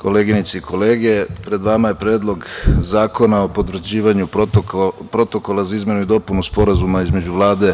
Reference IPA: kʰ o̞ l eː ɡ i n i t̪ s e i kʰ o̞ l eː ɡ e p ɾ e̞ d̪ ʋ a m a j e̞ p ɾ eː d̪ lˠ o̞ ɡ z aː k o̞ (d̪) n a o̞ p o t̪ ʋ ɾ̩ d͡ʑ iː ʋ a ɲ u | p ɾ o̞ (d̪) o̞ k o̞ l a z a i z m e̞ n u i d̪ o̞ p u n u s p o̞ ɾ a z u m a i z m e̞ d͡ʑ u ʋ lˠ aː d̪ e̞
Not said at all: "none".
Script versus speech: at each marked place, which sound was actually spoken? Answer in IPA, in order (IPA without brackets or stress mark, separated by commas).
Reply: none, t̪